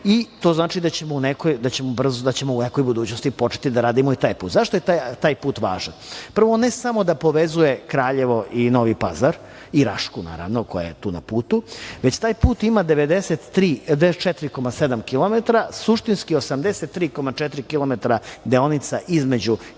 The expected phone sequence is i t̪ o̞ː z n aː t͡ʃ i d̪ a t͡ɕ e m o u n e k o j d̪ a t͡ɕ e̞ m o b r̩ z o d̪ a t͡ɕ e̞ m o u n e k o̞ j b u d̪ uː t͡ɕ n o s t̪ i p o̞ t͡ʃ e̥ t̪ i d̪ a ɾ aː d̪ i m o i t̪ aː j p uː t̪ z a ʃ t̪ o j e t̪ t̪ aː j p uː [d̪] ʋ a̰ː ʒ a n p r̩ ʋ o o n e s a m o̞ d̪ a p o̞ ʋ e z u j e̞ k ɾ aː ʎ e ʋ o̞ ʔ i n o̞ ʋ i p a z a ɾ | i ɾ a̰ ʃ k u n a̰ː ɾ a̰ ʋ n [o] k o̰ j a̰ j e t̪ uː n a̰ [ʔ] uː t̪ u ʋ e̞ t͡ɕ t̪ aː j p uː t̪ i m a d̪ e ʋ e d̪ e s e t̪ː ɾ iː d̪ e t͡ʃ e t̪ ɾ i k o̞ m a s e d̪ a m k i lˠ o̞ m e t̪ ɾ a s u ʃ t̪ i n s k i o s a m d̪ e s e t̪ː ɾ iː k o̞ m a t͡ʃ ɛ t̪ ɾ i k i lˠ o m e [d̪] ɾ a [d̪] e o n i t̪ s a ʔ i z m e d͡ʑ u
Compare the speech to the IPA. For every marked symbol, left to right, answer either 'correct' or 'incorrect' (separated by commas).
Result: incorrect, correct, incorrect, incorrect, correct